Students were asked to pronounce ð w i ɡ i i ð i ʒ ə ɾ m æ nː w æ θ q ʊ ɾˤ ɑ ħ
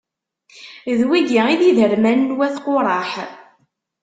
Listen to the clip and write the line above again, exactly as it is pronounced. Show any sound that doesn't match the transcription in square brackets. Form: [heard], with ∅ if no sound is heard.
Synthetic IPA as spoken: ð w i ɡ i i ð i [ð] ə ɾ m æ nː w æ θ q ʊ ɾˤ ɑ ħ